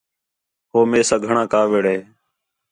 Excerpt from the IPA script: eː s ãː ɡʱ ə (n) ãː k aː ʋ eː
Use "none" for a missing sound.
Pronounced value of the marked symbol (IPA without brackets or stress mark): ɳ